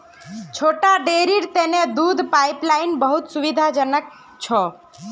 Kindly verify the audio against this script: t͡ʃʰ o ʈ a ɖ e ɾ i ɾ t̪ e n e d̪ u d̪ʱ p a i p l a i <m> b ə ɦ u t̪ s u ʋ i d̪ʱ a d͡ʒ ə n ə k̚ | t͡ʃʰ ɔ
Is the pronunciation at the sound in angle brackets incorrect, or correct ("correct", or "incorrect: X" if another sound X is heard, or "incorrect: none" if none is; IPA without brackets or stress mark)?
incorrect: n